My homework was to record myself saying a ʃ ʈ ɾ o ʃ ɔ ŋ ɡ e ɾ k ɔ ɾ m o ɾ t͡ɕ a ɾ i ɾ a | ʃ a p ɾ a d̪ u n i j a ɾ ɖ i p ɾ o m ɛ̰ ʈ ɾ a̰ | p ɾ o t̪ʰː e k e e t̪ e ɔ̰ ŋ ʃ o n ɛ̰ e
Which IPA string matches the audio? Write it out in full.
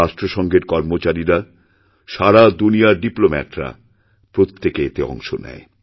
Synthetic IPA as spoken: a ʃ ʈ ɾ o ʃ ɔ ŋ ɡ e ɾ k ɔ ɾ m o t͡ɕ a ɾ i ɾ a | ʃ a ɾ a d̪ u n i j a ɾ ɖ i p l o m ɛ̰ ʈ ɾ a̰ | p ɾ o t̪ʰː e k e e t̪ e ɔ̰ ŋ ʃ o n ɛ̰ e